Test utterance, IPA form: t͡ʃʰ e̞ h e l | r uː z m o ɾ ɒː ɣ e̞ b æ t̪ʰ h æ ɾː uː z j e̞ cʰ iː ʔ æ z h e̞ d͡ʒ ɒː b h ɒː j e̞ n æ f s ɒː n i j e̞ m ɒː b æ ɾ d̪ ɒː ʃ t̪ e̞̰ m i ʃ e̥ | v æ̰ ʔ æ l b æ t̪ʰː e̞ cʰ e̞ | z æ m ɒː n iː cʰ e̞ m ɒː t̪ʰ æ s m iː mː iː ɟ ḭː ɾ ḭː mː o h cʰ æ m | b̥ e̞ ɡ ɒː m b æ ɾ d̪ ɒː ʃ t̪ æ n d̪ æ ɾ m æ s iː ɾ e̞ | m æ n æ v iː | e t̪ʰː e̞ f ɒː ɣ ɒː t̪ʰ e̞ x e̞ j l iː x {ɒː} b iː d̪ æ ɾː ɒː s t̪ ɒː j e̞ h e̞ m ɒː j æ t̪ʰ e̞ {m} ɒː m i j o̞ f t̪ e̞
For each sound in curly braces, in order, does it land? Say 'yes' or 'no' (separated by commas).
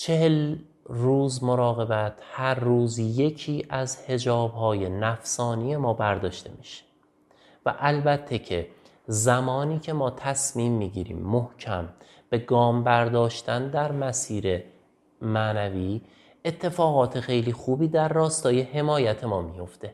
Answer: no, yes